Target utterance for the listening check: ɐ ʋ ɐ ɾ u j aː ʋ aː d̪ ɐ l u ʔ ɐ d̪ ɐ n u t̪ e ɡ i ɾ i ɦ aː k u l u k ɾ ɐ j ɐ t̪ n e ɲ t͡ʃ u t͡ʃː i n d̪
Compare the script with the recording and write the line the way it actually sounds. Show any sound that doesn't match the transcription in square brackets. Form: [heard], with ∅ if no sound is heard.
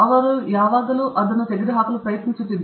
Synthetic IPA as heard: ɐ ʋ ɐ ɾ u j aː ʋ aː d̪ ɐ l u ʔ ɐ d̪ ɐ n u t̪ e ɡ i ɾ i ɦ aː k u l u [p] ɾ ɐ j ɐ t̪ n [i] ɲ t͡ʃ u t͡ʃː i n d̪